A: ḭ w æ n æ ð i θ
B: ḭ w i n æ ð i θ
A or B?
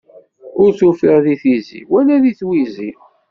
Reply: A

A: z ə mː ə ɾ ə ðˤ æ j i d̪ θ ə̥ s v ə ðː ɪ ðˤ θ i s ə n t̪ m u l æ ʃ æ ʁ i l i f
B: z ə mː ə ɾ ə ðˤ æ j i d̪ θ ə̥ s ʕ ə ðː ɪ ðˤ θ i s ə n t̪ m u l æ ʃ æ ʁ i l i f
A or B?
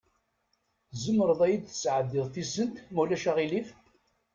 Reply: B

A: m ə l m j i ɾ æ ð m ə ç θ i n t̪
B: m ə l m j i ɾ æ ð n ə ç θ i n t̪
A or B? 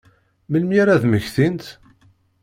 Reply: A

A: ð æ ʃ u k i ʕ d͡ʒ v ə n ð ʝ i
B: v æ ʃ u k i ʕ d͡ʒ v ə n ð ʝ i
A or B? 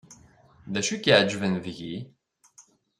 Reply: A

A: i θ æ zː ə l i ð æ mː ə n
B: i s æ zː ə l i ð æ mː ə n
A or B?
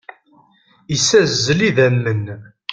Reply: B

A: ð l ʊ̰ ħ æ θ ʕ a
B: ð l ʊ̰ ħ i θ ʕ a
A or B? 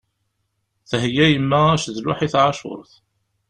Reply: B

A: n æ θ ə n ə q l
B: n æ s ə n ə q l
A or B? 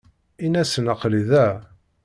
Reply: B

